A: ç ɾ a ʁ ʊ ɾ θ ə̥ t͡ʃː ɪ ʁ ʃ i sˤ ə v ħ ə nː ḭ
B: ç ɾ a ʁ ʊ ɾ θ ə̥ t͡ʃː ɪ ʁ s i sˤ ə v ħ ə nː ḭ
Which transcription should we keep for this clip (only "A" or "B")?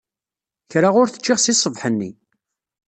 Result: B